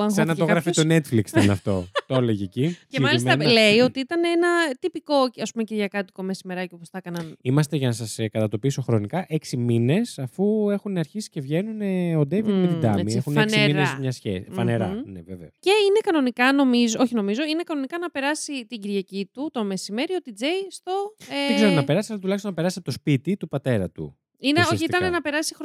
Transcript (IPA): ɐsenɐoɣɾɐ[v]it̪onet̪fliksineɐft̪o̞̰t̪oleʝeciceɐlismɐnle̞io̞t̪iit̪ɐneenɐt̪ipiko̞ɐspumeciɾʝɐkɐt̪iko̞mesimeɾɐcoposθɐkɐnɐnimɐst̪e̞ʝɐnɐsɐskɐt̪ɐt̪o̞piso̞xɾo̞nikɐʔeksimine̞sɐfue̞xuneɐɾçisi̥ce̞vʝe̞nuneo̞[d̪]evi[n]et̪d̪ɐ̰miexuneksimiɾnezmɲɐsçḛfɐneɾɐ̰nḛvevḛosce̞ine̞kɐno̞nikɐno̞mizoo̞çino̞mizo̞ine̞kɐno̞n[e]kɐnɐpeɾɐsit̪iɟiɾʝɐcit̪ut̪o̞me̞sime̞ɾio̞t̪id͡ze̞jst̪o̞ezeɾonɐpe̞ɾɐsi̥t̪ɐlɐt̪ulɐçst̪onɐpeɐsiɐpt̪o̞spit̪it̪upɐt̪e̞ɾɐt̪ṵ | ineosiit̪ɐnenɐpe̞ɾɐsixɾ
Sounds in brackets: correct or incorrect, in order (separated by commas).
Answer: incorrect, correct, incorrect, incorrect